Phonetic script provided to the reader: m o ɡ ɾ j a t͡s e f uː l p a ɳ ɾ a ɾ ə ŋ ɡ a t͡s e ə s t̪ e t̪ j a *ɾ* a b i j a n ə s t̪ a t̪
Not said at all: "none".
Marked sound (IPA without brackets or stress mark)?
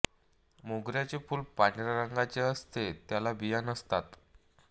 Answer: l